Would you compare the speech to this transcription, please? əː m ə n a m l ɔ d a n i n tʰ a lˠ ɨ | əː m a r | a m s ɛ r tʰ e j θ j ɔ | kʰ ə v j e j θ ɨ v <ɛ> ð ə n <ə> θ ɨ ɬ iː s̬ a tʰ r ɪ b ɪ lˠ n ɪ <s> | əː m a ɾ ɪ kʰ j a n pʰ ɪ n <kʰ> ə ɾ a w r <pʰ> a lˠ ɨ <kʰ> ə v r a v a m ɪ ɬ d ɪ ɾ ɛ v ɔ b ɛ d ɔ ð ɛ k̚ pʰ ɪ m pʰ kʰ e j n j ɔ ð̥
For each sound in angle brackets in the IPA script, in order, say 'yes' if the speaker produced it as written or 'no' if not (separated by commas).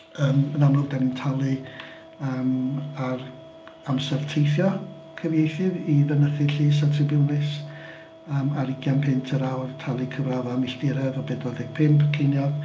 no, yes, yes, no, no, yes